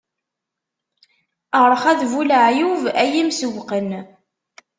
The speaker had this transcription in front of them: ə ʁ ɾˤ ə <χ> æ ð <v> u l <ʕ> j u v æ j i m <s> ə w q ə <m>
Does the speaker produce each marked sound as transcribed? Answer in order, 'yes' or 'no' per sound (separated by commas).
yes, yes, yes, yes, no